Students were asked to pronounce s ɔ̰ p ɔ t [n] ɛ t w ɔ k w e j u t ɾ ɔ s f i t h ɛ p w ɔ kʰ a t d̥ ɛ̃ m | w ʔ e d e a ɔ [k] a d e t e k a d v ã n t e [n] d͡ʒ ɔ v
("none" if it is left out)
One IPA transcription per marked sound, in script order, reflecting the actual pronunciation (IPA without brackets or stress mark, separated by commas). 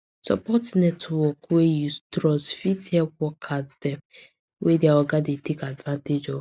n, ɡ, none